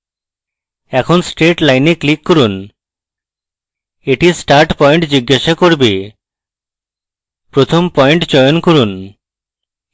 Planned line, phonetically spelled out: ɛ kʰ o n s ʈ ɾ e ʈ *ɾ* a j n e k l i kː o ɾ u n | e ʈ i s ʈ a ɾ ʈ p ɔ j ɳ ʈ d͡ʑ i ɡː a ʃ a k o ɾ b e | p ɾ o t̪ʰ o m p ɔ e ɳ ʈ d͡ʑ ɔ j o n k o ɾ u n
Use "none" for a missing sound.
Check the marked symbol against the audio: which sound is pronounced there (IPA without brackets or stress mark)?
l